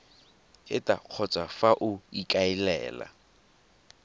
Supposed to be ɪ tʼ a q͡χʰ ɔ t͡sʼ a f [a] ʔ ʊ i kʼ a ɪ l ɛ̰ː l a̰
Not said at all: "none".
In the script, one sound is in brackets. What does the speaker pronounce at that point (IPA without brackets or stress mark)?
a